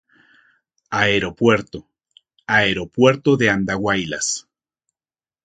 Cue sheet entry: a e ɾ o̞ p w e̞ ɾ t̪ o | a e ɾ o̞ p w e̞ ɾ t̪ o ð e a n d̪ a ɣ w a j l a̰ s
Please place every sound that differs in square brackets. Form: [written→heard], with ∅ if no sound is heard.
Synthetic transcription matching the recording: a e ɾ o̞ p w e̞ ɾ t̪ o | a e ɾ o̞ p w e̞ ɾ t̪ o ð e a n d̪ a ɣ w a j l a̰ s